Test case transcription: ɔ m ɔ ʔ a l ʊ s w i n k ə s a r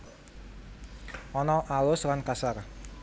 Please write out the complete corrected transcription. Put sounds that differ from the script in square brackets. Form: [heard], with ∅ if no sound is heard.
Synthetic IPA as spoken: ɔ [n] ɔ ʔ a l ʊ s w [a] n k [a] s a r